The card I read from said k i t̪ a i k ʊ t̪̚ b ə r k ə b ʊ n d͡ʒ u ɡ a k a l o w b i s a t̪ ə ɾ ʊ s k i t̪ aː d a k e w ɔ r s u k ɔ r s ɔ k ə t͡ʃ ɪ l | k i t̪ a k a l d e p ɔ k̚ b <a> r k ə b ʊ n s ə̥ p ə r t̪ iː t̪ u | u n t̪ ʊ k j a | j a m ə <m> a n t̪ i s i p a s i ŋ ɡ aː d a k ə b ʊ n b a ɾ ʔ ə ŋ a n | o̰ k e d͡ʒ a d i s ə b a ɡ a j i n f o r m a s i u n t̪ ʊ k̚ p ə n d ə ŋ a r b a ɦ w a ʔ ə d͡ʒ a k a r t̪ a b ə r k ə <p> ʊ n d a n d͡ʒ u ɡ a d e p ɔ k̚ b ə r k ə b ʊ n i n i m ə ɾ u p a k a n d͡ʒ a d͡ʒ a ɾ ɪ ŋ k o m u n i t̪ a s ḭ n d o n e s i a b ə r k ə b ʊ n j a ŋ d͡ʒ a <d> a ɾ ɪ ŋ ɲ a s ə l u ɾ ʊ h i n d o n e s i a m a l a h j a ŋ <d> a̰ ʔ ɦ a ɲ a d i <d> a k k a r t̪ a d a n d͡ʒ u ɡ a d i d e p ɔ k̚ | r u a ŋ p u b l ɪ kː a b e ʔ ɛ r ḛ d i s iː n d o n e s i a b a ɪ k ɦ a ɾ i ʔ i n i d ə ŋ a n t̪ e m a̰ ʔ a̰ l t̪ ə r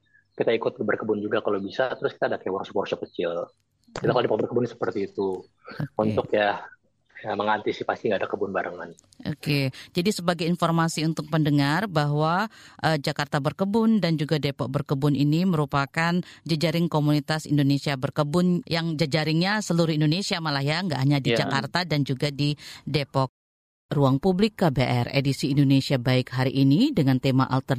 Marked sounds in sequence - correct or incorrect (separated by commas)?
incorrect, incorrect, incorrect, incorrect, incorrect, incorrect